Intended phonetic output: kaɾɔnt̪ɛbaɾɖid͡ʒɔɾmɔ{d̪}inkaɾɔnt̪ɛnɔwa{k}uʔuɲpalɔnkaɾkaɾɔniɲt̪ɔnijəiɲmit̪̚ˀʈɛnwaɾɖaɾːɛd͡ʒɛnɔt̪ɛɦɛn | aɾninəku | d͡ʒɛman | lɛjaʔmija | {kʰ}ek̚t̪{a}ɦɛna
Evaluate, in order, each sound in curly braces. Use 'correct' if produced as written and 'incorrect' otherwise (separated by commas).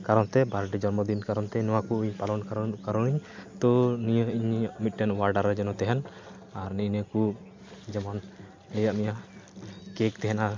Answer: correct, correct, incorrect, incorrect